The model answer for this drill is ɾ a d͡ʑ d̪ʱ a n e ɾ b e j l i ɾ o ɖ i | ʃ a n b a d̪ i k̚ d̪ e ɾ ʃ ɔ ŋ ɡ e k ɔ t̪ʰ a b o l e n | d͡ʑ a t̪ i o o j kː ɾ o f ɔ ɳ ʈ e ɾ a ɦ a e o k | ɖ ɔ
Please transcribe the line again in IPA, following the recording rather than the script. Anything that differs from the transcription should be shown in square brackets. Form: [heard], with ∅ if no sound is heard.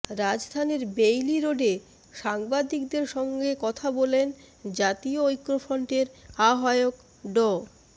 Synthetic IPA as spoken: ɾ a d͡ʑ d̪ʱ a n e ɾ b e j l i ɾ o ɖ [e] | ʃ a [ŋ] b a d̪ i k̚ d̪ e ɾ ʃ ɔ ŋ ɡ e k ɔ t̪ʰ a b o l e n | d͡ʑ a t̪ i o o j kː ɾ o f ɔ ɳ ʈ e ɾ a ɦ a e o k | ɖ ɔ